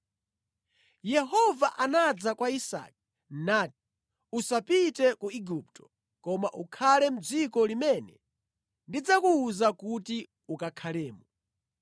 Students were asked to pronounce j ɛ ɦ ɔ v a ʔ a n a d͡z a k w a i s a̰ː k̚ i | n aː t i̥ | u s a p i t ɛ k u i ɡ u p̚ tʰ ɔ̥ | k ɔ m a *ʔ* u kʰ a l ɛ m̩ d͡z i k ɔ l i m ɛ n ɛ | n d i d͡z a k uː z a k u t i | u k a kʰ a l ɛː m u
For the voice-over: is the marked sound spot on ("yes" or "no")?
yes